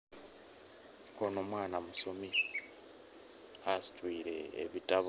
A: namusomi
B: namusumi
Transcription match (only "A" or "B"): A